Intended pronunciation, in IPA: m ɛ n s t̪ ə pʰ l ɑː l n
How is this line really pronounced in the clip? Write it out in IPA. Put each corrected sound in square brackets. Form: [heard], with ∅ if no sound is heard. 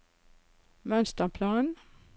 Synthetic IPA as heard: m [œ] n s t̪ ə pʰ l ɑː [∅] n